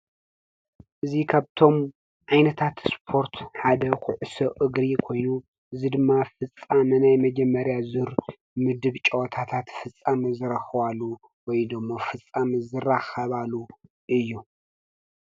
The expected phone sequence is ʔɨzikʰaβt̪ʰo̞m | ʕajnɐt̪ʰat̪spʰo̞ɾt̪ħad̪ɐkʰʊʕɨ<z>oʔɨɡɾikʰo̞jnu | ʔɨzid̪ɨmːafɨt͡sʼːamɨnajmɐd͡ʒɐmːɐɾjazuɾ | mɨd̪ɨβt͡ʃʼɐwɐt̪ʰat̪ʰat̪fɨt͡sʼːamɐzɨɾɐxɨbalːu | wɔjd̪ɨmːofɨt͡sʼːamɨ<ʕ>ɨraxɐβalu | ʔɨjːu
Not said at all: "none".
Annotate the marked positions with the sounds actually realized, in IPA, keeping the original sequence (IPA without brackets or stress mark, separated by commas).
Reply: s, z